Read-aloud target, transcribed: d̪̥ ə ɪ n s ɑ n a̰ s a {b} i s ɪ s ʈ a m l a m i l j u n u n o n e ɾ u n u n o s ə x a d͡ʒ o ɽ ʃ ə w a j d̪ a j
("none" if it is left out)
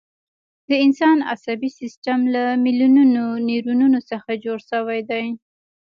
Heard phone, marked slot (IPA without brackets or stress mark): b